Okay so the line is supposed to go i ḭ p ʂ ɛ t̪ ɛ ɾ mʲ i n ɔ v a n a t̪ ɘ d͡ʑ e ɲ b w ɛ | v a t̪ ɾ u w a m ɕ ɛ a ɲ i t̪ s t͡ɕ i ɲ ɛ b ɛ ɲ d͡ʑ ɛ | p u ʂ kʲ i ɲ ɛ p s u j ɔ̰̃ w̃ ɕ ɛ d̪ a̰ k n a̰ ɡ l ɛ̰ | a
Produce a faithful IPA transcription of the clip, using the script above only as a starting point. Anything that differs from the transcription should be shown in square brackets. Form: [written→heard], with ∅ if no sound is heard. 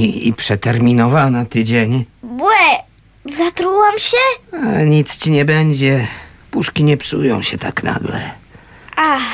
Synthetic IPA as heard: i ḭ p ʂ ɛ t̪ ɛ ɾ mʲ i n ɔ v a n a t̪ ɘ d͡ʑ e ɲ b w ɛ | [v→z] a t̪ ɾ u w a m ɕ ɛ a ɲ i t̪ s t͡ɕ i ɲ ɛ b ɛ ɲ d͡ʑ ɛ | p u ʂ kʲ i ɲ ɛ p s u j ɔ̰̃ w̃ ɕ ɛ [d̪→t̪] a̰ k n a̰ ɡ l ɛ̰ | a